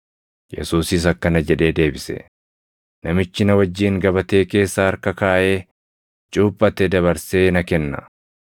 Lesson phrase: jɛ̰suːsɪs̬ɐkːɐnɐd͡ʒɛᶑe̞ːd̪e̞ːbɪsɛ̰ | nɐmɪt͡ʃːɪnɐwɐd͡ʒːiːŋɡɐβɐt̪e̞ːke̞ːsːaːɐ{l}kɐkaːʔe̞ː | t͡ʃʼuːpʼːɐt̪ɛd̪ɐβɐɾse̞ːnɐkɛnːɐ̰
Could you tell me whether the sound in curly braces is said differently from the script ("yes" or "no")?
yes